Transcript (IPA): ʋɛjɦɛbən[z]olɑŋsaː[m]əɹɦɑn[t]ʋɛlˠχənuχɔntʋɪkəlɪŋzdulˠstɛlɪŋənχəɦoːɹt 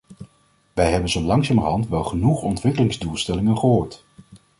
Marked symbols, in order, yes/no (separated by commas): yes, yes, yes